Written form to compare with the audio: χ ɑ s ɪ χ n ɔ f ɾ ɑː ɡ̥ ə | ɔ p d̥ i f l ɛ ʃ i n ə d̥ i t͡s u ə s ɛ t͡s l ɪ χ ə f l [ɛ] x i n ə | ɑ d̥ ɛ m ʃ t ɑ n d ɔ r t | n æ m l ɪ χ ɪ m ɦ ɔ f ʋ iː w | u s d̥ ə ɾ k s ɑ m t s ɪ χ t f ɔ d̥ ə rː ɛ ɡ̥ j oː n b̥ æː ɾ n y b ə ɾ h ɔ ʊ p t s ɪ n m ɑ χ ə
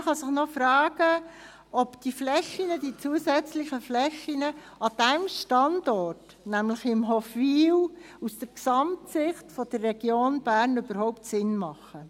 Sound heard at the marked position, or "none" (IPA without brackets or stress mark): ɛ